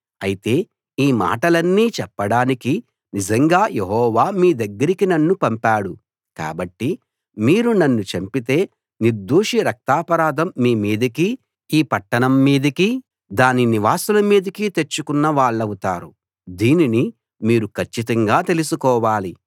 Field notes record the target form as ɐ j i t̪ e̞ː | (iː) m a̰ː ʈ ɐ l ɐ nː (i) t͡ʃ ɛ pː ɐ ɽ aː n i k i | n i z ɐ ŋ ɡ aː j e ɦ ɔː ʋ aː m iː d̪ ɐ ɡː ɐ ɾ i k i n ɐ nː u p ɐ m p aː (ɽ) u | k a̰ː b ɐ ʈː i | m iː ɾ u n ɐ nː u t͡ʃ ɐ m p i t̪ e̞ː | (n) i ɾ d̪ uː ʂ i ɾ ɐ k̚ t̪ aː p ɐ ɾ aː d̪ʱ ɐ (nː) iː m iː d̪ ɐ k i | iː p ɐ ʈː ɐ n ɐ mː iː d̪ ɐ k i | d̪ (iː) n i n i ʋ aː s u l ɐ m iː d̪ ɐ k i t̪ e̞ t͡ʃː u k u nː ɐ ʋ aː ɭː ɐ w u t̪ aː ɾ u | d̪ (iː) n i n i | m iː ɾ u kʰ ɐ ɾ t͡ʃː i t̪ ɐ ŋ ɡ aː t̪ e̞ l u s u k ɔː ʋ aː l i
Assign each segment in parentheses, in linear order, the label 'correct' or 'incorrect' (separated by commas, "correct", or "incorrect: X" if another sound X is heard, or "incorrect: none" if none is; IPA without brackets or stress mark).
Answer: correct, incorrect: iː, correct, correct, incorrect: mː, incorrect: aː, correct